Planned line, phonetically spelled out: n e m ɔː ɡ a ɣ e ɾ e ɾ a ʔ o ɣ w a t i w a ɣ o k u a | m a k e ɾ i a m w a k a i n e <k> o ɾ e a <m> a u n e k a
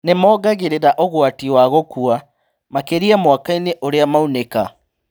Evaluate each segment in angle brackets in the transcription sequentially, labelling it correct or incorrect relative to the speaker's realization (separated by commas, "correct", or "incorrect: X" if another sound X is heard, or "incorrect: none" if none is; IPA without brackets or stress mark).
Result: incorrect: ʔ, correct